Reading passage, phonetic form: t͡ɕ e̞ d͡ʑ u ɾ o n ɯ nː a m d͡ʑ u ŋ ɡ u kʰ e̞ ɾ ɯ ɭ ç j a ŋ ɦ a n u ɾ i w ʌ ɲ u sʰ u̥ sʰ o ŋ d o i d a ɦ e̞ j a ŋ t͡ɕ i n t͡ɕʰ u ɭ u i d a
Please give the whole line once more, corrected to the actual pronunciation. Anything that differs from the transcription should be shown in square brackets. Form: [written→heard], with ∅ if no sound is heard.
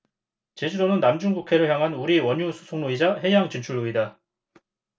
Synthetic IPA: t͡ɕ e̞ d͡ʑ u ɾ o n ɯ nː a m d͡ʑ u ŋ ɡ u kʰ e̞ ɾ ɯ ɭ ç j a ŋ ɦ a n u ɾ i w ʌ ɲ u sʰ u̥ sʰ o ŋ [d→n] o i [d→d͡ʑ] a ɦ e̞ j a ŋ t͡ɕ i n t͡ɕʰ u ɭ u i d a